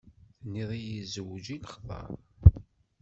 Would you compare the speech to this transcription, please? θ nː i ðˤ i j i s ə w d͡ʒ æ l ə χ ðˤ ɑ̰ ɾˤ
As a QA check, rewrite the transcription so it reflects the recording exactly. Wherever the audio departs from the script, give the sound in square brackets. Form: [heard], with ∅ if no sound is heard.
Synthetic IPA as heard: θ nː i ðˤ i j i [z] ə w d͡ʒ [i] l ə χ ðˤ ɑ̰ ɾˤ